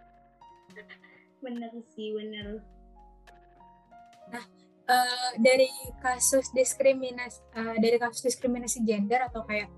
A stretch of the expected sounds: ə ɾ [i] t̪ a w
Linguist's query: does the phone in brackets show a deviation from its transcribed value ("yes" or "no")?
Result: yes